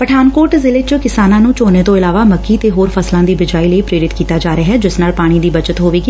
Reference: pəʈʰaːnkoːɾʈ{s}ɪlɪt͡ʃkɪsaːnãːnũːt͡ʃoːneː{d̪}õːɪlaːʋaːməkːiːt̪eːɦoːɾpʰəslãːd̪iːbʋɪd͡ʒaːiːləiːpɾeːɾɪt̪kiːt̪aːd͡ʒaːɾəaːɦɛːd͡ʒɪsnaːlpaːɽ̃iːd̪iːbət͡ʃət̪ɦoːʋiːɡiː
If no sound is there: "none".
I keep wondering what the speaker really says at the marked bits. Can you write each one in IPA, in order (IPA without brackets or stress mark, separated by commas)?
z, t̪